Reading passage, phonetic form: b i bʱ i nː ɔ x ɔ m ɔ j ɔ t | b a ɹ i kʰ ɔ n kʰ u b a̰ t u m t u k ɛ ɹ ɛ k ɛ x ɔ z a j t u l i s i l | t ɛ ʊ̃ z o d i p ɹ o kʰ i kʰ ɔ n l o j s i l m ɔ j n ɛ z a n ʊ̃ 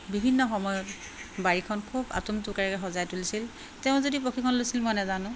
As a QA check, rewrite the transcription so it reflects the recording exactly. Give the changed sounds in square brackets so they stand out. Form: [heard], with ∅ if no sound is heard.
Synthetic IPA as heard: b i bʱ i nː ɔ x ɔ m ɔ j ɔ t | b a ɹ i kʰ ɔ n kʰ u b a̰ t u m t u k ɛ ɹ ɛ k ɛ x ɔ z a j t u l i s i l | t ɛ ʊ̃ z o d i p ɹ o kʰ i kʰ ɔ n l o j s i l m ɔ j n ɛ z a n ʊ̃